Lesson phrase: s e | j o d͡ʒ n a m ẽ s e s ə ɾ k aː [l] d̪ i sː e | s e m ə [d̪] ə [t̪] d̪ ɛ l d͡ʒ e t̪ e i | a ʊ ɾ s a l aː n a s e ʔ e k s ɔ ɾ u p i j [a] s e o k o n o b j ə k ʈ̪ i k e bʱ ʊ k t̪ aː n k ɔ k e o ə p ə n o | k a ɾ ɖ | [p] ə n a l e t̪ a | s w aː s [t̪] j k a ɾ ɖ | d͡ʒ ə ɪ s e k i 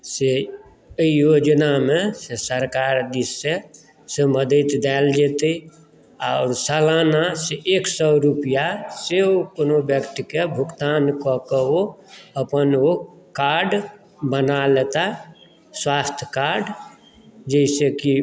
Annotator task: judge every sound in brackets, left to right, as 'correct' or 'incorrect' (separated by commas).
incorrect, correct, correct, correct, incorrect, incorrect